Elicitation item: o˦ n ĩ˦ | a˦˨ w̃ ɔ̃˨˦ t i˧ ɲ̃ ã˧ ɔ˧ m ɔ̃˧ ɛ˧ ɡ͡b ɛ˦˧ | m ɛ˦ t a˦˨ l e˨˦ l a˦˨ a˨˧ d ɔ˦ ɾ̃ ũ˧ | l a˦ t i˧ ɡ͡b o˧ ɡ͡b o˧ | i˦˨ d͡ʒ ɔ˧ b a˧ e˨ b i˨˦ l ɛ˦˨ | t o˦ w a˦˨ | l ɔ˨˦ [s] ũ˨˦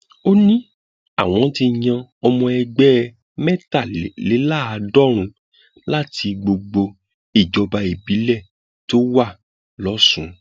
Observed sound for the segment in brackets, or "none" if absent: s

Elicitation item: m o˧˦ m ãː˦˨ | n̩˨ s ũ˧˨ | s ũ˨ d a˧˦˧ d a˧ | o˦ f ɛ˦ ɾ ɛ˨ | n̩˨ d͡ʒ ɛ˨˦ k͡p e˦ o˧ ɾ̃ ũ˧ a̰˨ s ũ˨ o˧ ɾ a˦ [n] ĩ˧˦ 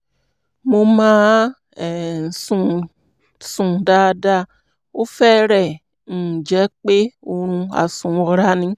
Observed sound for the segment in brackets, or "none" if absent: n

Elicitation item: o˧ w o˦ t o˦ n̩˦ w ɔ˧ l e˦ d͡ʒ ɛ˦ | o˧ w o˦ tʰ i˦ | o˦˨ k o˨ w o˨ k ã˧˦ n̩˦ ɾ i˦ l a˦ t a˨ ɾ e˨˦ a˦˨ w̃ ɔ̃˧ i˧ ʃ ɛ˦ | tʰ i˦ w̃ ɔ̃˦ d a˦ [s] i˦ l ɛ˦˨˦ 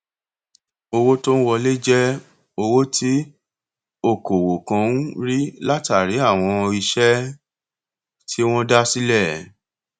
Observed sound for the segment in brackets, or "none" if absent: s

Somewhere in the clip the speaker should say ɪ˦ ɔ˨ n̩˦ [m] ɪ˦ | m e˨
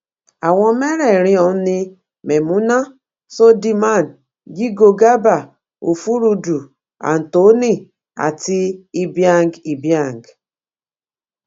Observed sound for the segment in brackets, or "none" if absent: n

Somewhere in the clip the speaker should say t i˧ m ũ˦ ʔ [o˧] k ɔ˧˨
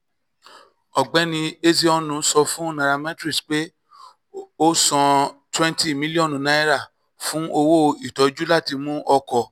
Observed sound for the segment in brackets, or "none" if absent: ɔ˧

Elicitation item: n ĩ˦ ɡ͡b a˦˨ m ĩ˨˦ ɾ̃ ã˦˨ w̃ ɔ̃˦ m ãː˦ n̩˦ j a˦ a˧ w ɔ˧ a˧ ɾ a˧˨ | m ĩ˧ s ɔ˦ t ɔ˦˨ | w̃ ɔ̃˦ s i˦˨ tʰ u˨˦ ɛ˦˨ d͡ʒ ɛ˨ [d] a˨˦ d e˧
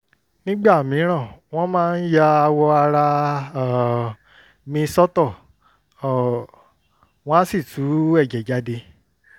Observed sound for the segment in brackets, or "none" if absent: d͡ʒ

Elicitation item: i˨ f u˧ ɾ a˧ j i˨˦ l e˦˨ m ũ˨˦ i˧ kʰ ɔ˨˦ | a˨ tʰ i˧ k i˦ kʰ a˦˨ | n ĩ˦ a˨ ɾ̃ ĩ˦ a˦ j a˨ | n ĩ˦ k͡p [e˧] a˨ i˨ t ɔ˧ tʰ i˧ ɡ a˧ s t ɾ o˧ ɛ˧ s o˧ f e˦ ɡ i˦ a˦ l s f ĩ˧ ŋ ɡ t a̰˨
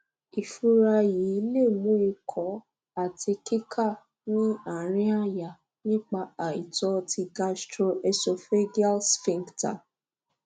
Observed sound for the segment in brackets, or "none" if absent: a˧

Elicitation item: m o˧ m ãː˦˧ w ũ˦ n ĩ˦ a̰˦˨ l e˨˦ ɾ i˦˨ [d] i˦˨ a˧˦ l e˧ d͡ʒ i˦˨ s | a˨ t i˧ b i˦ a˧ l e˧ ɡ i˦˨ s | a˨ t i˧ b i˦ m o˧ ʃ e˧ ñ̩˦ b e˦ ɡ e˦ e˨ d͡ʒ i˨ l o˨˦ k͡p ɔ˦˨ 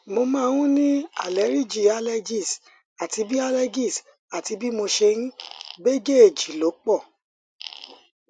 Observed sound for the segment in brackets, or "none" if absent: d͡ʒ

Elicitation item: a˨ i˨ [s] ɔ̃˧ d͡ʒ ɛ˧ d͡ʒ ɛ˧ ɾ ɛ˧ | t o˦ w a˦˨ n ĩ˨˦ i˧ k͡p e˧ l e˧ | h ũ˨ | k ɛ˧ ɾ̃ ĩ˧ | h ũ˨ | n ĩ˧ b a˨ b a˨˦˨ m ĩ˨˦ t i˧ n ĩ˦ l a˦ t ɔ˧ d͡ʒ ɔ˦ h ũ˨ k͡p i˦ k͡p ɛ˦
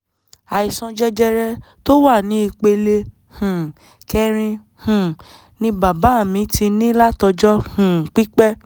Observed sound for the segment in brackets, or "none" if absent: s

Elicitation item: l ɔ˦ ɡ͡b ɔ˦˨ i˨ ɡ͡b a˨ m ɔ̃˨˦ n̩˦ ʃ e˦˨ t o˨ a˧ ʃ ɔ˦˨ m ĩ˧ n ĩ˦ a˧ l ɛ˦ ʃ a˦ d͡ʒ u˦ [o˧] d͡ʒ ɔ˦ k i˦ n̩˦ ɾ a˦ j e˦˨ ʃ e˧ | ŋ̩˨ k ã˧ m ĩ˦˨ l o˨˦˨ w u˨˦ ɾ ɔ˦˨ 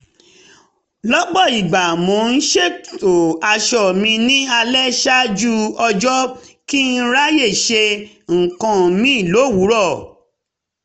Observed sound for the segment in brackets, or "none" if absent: ɔ˧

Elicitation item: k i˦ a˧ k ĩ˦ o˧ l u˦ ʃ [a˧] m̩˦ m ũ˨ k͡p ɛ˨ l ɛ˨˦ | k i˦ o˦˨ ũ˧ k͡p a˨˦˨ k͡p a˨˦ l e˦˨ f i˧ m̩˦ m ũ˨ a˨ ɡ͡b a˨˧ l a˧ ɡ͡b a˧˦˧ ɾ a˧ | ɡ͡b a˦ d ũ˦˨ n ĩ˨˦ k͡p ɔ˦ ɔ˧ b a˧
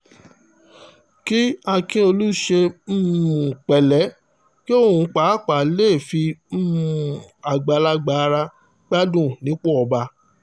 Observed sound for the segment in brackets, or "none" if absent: e˧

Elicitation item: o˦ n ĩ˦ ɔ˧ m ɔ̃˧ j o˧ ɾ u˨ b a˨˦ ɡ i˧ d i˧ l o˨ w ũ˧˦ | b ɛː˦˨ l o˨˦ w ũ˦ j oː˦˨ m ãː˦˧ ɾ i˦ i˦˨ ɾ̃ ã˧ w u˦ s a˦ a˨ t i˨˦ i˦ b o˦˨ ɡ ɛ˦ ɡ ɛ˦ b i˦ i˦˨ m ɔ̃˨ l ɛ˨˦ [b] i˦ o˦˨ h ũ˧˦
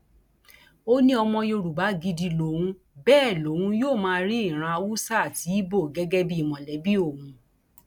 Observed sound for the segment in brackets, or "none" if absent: b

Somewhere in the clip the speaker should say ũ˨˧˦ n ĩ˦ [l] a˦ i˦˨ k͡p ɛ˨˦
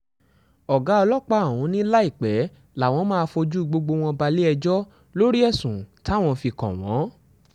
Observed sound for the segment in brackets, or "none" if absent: l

